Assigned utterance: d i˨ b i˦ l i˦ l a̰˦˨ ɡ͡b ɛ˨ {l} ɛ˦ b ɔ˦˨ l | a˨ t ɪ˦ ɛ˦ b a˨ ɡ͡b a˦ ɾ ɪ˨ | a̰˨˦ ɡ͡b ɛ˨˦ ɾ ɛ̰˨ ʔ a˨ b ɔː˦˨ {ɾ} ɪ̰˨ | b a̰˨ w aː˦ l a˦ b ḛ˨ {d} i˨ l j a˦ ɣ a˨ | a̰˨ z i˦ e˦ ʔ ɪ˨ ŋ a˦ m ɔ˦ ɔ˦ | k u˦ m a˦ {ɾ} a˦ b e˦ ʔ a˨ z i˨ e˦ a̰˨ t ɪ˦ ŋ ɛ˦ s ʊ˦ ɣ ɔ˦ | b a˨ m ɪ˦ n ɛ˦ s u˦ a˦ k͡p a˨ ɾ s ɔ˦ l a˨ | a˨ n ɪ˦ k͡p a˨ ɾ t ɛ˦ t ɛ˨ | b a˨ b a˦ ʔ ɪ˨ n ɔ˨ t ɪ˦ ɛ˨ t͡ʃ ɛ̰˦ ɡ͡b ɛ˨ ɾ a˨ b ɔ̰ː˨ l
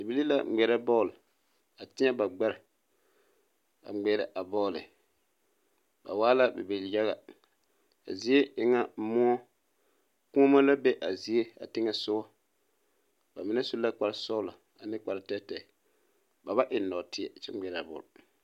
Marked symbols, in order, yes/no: no, no, no, no

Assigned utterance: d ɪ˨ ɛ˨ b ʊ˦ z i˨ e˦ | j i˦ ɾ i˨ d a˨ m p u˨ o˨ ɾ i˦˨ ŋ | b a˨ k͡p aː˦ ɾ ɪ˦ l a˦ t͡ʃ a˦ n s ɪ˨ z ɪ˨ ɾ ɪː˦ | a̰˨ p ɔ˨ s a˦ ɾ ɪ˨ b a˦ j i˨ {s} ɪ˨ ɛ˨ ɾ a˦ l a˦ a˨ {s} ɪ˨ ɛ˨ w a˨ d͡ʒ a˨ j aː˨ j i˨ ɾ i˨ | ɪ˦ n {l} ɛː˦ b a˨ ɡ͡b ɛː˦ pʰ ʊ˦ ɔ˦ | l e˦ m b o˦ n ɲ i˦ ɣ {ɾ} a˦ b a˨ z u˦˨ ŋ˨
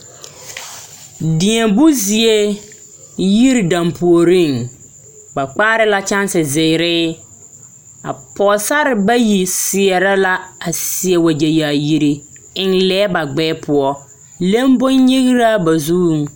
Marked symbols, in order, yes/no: yes, yes, yes, yes

